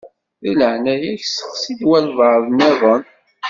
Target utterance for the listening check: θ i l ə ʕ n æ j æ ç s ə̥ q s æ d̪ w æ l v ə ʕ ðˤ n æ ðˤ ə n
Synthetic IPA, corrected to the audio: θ i l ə ʕ n æ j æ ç s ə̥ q s i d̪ w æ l v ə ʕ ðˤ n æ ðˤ ə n